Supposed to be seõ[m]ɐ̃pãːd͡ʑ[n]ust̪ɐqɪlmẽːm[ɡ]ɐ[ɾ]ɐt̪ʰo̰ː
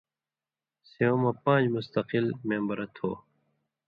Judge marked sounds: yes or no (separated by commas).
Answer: yes, no, no, yes